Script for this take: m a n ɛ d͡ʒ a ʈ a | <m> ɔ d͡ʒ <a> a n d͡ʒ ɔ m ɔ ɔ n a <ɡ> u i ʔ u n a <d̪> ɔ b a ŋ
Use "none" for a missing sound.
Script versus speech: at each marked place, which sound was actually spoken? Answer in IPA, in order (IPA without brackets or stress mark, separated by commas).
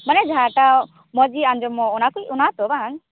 m, i, k, t̪